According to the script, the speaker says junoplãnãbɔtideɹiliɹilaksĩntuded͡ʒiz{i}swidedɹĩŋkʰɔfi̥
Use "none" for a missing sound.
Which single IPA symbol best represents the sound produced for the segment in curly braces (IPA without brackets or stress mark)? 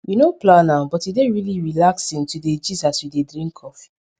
a